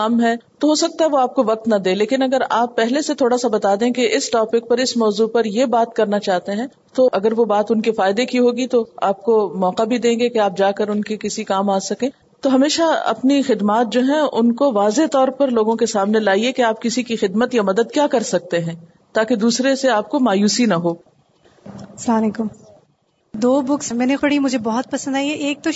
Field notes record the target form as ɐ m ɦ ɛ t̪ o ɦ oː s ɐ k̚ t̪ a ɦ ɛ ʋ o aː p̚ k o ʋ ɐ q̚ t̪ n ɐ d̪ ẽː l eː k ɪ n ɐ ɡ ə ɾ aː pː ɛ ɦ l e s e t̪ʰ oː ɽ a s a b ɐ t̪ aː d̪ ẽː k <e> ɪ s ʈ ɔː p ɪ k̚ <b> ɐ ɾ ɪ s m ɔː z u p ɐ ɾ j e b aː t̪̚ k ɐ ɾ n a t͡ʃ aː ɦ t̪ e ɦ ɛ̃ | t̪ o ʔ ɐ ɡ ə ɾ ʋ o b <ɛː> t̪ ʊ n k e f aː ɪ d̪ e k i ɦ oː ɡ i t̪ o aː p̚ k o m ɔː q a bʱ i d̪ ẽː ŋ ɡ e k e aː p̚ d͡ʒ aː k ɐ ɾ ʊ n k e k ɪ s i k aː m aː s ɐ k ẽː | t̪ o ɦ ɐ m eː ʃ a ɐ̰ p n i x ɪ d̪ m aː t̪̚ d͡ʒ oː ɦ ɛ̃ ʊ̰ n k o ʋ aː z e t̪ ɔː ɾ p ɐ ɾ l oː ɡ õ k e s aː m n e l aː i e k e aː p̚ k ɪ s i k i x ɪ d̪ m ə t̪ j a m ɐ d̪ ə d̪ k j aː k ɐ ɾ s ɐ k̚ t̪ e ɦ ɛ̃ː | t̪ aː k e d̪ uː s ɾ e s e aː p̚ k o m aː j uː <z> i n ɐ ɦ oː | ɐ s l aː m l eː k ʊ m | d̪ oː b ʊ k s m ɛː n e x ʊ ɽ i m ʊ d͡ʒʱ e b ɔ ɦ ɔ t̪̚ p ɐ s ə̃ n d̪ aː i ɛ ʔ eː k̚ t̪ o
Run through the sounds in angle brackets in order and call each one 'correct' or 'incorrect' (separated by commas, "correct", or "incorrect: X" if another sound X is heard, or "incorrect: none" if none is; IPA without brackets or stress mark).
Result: correct, incorrect: p, incorrect: aː, incorrect: s